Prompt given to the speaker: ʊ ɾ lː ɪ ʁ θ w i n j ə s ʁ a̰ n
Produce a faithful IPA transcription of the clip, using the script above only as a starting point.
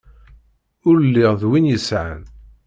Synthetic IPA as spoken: ʊ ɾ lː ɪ ʁ ð w i n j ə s ʕ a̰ n